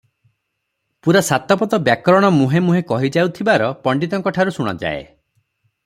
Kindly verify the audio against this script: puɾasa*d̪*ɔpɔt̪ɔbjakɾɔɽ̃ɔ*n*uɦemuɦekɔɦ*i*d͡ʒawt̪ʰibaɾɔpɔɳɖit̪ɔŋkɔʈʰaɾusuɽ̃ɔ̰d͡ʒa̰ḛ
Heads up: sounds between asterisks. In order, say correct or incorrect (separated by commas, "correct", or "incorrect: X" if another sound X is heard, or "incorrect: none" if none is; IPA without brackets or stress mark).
incorrect: t̪, incorrect: m, correct